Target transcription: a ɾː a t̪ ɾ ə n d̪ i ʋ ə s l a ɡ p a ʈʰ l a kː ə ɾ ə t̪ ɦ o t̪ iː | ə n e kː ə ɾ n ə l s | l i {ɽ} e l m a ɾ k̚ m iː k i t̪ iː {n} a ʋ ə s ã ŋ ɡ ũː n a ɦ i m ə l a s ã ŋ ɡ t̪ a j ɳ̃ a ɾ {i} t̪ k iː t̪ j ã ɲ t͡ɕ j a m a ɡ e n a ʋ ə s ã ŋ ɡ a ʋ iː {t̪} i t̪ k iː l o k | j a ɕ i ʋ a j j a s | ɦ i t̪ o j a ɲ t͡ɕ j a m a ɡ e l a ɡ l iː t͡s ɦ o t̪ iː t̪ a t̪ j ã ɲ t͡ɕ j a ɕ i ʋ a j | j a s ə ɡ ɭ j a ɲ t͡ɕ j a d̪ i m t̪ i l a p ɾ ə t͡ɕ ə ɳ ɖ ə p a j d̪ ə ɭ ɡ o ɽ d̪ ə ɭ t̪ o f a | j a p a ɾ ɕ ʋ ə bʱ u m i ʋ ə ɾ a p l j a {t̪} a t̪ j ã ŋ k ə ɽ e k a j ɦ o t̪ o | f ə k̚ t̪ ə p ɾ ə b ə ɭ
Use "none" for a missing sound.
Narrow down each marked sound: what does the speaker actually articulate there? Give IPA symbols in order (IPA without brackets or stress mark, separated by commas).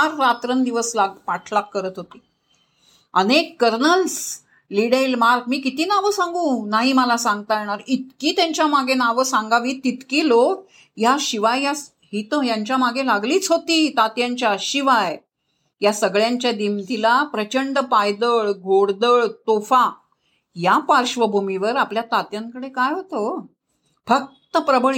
ɽ, n, i, t̪, t̪